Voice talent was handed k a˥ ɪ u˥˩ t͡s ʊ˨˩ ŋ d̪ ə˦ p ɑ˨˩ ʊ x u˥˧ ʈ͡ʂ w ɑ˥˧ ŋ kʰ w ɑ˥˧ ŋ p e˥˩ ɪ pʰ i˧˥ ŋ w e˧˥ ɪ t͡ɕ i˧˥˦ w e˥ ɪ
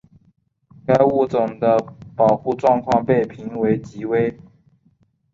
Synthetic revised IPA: k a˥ ɪ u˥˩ t͡s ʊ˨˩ ŋ d̪ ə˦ p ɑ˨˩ ʊ x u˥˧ ʈ͡ʂ w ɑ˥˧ ŋ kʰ w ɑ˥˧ ŋ p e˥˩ ɪ pʰ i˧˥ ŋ w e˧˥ ɪ t͡ɕ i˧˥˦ w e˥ ɪ